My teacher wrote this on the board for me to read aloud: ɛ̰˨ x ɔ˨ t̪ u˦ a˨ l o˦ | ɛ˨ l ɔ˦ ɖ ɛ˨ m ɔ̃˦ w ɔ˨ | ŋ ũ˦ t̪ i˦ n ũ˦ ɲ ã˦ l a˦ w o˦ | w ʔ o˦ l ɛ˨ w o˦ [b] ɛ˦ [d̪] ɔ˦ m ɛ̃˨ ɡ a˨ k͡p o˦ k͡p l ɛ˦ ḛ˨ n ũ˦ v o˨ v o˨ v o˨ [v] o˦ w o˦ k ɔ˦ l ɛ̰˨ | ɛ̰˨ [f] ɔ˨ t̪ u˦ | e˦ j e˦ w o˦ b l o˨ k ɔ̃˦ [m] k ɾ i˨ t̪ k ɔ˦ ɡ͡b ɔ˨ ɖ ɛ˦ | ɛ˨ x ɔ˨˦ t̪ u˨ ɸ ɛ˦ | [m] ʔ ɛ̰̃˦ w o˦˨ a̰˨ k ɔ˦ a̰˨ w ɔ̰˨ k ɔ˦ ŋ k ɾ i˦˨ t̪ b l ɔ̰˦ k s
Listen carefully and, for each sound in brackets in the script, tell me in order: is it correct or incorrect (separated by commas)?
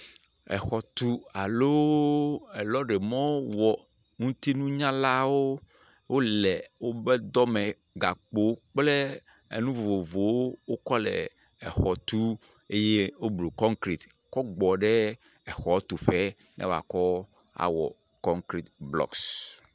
correct, correct, incorrect, incorrect, incorrect, incorrect